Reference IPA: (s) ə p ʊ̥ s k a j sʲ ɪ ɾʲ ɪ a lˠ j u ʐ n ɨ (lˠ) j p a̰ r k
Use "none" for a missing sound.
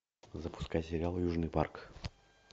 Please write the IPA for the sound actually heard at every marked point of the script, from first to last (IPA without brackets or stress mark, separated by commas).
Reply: z, none